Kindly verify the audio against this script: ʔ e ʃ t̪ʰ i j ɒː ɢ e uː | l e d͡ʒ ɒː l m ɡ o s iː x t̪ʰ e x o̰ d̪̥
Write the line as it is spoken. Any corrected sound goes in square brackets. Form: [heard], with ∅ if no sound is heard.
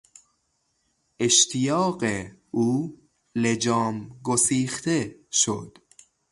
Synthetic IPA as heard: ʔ e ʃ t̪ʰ i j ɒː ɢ e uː | l e d͡ʒ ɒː [∅] m ɡ o s iː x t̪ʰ e [ʃ] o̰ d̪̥